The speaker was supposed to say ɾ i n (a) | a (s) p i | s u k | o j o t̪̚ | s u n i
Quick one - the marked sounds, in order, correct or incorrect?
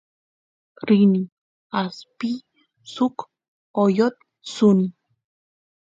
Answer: incorrect, correct

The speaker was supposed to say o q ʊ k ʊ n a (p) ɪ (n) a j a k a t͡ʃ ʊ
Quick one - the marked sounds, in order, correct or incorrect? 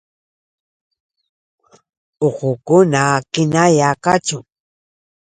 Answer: incorrect, correct

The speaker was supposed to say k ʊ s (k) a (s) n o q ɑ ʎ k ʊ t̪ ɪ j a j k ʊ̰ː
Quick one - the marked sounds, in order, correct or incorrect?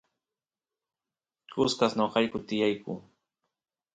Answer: correct, correct

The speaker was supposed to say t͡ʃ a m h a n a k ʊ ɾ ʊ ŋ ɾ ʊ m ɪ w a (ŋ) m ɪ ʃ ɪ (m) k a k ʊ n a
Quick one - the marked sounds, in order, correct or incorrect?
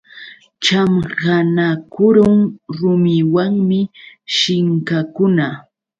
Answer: correct, incorrect

